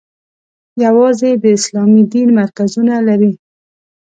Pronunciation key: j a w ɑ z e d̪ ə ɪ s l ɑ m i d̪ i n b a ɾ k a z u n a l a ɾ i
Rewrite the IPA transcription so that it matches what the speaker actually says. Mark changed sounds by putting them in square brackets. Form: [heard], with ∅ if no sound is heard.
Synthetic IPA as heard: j a w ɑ z e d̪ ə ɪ s l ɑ m i d̪ i n [m] a ɾ k a z u n a l a ɾ i